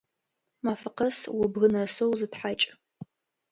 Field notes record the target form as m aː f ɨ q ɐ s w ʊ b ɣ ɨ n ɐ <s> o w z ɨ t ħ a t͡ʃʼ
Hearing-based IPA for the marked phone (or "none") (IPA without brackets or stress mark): s